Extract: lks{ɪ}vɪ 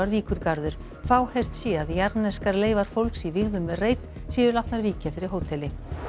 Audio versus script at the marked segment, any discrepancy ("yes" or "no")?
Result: yes